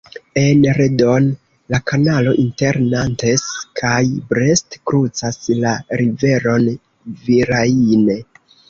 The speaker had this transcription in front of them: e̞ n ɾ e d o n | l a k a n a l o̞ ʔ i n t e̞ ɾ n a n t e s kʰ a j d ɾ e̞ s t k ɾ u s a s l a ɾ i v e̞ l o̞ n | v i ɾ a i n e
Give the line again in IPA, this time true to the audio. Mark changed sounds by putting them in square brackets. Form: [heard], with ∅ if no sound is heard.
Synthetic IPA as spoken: e̞ n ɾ e d o n | l a k a n a l o̞ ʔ i n t e̞ ɾ n a n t e s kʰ a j [b] ɾ e̞ s t k ɾ u [t͡s] a s l a ɾ i v e̞ [ɾ] o̞ n | v i ɾ a i n e